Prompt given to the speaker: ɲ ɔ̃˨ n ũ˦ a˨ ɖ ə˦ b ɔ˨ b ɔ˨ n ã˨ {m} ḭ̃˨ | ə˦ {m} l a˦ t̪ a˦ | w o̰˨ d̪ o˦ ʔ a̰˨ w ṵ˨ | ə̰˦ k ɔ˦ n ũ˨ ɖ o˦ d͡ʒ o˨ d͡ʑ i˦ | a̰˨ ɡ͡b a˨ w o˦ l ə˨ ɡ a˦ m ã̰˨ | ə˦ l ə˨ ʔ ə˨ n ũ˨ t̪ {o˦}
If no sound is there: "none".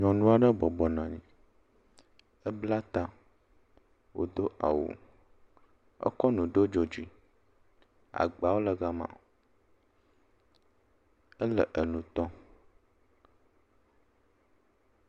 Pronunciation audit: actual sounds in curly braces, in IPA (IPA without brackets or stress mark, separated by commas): ɲ, b, ɔ˦